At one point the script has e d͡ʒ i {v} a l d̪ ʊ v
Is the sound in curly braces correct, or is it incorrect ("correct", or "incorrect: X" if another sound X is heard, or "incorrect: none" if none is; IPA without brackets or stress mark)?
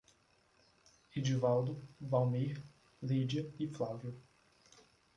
correct